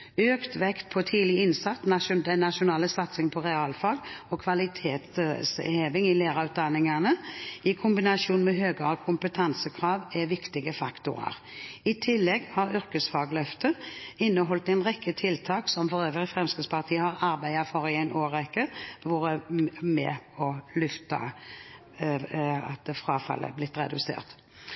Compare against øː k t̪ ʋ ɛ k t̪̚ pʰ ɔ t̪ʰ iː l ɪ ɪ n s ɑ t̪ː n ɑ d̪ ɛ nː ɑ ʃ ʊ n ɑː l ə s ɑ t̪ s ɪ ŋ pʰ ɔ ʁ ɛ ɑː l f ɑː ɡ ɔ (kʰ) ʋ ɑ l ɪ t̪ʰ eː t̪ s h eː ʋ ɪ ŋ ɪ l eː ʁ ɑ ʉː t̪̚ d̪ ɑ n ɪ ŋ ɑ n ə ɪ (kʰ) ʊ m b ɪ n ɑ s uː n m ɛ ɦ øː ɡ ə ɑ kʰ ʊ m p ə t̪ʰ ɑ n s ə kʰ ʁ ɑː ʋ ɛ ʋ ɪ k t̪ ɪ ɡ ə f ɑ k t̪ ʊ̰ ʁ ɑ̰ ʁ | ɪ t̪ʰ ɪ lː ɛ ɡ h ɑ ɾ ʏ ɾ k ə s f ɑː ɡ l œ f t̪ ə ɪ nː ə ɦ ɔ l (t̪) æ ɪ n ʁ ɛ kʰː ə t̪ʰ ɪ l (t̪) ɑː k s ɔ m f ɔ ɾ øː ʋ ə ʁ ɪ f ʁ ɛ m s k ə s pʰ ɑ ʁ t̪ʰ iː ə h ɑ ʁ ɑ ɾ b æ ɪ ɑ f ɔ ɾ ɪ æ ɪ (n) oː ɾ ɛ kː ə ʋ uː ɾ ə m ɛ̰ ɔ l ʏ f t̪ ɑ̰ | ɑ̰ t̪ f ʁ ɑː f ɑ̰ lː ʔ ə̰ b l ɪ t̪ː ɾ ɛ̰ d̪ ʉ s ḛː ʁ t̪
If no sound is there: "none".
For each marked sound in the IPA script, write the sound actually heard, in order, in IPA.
kʰ, kʰ, t̪, t̪ʰ, n

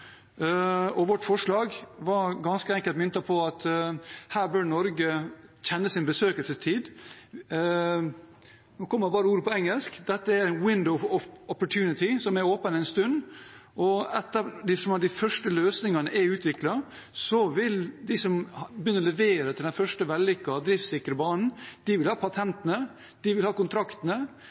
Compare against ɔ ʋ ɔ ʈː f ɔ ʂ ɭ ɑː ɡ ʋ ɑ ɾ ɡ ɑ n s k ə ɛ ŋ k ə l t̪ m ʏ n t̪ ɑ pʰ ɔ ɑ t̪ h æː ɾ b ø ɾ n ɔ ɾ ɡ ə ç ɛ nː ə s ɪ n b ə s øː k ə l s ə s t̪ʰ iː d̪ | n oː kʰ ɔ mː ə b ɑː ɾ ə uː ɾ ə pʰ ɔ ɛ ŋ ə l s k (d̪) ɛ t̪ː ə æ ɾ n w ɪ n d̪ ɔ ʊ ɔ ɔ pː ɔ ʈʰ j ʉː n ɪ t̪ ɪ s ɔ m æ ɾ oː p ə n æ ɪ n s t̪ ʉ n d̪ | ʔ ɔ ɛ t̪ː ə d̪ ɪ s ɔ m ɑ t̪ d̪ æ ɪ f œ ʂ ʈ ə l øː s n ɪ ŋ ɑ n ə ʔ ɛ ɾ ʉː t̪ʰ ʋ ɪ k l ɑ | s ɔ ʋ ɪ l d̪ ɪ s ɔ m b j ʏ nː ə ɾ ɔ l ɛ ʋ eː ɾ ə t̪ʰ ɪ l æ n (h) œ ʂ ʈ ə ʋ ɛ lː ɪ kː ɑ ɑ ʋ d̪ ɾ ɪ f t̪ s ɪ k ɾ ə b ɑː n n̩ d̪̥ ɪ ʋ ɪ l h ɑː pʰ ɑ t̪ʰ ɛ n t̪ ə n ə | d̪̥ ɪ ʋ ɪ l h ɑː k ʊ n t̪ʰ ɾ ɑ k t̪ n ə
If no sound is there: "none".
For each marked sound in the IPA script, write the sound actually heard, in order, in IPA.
d̪, f

